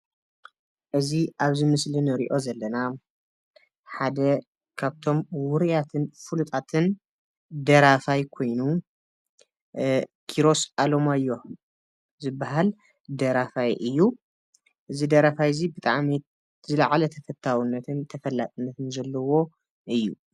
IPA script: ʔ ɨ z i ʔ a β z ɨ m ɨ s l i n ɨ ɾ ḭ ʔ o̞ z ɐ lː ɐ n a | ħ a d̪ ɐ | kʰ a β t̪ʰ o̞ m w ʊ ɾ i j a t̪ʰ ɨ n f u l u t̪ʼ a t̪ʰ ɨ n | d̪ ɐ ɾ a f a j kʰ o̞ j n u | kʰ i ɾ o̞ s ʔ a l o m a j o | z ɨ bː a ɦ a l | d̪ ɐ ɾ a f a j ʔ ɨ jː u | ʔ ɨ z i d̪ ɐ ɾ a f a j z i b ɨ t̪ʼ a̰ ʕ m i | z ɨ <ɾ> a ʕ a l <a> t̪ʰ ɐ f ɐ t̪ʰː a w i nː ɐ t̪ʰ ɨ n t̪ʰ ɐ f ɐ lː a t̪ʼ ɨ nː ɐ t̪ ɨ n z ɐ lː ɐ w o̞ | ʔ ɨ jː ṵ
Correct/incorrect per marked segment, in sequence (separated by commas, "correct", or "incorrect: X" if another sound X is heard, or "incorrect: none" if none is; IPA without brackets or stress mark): incorrect: l, incorrect: ɐ